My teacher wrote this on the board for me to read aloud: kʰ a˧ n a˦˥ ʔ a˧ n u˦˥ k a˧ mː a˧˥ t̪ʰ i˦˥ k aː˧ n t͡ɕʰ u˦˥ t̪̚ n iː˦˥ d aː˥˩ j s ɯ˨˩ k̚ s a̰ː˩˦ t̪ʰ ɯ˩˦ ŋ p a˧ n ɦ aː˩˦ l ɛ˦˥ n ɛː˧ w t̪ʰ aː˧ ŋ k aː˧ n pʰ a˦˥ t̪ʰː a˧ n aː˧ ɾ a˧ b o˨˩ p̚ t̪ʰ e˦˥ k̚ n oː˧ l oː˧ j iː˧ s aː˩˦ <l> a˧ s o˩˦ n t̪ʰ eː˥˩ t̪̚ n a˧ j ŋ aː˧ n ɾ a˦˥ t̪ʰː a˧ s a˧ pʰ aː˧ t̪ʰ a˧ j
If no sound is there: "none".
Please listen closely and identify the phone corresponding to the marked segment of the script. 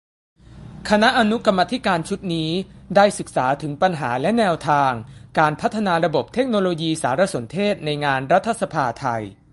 ɾ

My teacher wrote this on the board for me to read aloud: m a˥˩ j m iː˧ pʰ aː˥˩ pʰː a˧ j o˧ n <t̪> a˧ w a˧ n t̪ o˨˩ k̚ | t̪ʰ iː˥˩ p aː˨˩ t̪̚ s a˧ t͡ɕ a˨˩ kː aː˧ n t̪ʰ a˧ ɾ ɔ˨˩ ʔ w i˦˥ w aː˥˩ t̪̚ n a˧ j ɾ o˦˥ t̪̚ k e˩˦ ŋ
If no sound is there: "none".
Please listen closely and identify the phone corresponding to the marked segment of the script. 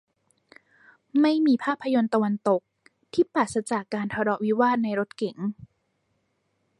t̪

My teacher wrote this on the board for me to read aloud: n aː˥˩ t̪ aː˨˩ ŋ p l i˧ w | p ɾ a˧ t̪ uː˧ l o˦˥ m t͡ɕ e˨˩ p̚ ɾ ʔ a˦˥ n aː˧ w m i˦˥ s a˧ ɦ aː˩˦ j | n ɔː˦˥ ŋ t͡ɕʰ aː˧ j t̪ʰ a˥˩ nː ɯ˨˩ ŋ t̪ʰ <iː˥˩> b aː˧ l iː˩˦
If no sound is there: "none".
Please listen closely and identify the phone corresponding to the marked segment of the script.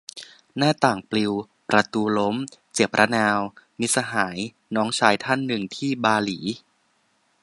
iː˥˩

